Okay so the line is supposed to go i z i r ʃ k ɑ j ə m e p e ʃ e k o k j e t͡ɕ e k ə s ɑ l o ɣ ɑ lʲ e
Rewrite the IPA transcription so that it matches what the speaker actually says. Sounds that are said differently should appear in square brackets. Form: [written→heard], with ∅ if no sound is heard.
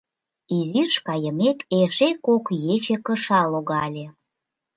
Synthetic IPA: i z i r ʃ k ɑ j ə m e [p→k] e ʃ e k o k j e t͡ɕ e k ə [s→ʃ] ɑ l o ɣ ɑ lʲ e